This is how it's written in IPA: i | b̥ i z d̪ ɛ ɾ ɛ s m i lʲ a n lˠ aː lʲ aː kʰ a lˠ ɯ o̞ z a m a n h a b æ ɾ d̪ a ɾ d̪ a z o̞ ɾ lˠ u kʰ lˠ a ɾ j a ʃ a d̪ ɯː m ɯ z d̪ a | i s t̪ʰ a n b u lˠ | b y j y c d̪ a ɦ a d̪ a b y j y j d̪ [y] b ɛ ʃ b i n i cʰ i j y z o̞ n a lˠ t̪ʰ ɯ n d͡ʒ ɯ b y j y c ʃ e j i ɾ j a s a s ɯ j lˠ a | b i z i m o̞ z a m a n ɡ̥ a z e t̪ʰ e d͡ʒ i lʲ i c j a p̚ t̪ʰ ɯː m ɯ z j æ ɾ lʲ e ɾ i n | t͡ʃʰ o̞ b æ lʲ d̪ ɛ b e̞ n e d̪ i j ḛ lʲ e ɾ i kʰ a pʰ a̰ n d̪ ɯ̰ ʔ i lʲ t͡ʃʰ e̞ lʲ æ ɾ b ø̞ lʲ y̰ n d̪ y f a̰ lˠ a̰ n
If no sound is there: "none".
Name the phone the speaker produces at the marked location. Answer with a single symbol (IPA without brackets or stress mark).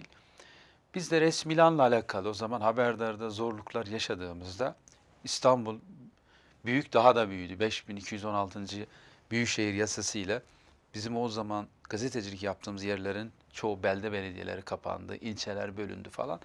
y